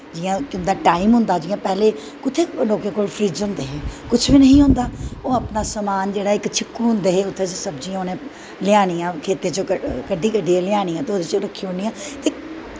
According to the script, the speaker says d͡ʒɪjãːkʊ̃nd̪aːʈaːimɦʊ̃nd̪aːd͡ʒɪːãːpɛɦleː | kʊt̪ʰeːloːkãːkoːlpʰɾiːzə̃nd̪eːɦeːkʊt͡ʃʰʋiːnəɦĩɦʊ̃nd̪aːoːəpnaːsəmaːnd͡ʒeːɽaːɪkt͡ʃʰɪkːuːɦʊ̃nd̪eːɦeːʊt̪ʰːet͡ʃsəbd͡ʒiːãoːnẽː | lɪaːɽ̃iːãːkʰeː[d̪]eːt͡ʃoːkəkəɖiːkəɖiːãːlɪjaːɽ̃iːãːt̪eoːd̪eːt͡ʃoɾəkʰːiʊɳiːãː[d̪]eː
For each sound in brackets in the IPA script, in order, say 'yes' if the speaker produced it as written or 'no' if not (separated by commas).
no, no